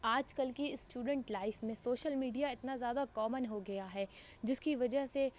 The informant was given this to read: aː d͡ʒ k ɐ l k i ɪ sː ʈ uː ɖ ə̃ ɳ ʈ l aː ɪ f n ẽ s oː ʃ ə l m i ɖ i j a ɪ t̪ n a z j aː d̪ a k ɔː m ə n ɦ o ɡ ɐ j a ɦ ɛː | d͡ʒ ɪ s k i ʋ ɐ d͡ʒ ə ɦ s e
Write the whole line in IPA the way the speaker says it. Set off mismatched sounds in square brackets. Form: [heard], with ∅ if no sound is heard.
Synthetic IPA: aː d͡ʒ k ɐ l k i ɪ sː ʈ uː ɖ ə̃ ɳ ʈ l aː ɪ f [m] ẽ s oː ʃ ə l m [iː] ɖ i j a ɪ t̪ n a z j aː d̪ a k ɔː m ə n ɦ o ɡ ɐ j a ɦ ɛː | d͡ʒ ɪ s k i ʋ ɐ d͡ʒ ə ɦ s e